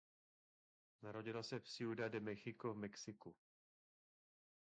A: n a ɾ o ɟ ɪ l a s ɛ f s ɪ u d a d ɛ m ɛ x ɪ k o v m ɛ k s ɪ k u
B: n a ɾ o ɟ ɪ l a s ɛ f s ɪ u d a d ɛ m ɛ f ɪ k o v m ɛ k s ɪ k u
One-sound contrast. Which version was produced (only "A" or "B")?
A